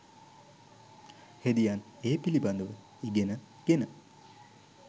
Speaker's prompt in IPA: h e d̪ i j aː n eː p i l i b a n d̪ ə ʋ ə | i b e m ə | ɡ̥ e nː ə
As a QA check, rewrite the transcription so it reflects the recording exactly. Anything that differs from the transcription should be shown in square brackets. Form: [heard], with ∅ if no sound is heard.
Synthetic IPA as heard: h e d̪ i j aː n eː p i l i b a n d̪ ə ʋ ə | i [ɡ] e [n] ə | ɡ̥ e [n] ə